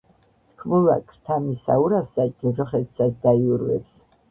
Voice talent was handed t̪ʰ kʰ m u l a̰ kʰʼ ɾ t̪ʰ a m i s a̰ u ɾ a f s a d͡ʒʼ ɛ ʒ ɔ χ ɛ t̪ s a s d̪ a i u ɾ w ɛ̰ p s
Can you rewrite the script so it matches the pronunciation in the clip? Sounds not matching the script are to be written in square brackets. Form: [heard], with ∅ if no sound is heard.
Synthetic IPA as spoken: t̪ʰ kʰ m u l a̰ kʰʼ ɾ t̪ʰ a m i s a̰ u ɾ a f s a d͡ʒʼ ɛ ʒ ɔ χ ɛ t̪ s a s d̪ a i u ɾ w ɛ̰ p s